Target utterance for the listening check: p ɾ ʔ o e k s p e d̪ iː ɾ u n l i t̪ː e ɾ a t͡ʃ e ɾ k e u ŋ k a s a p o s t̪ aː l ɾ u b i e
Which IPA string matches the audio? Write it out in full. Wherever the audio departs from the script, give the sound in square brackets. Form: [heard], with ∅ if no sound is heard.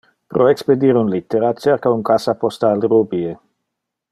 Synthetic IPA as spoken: p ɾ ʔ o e k s p e d̪ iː ɾ u n l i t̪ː e ɾ a t͡ʃ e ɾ k [a] u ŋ k a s a p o s t̪ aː l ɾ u b i e